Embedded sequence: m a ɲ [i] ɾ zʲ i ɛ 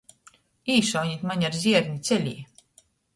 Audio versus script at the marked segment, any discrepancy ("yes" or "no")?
yes